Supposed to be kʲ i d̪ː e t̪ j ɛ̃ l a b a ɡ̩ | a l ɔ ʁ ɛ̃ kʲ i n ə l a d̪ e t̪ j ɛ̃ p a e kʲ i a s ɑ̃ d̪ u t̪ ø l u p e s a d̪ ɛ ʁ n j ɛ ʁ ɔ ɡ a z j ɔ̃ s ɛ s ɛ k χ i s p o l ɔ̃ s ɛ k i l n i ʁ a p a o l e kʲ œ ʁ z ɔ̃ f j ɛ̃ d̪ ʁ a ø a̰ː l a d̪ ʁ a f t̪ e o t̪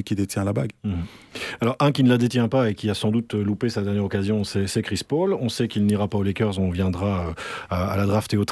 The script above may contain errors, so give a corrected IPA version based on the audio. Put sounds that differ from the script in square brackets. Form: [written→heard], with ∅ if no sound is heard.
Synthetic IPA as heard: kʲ i [d̪ː→d̪] e t̪ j ɛ̃ l a b a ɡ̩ | a l ɔ ʁ ɛ̃ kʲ i n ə l a d̪ e t̪ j ɛ̃ p a e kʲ i a s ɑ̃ d̪ u t̪ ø l u p e s a d̪ ɛ ʁ n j ɛ ʁ ɔ [ɡ→k] a z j ɔ̃ s ɛ s ɛ k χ i s p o l ɔ̃ s ɛ k i l n i ʁ a p a o l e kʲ œ ʁ z ɔ̃ [f→v] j ɛ̃ d̪ ʁ a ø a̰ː l a d̪ ʁ a f t̪ e o t̪